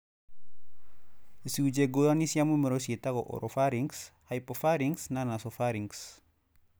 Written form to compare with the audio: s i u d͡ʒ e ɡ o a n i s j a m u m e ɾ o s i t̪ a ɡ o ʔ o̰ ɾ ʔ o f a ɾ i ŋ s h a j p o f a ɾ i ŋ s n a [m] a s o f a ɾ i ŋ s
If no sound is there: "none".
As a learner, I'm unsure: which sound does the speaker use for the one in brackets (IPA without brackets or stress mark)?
n